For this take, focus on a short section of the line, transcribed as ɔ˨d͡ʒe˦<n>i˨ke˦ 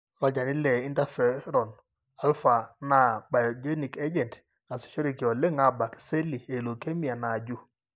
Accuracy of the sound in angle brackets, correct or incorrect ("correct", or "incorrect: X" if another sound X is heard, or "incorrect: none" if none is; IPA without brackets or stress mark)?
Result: correct